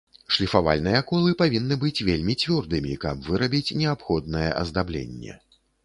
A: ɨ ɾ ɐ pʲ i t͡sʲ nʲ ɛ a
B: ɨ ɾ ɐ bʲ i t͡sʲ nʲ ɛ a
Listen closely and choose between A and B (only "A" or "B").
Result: B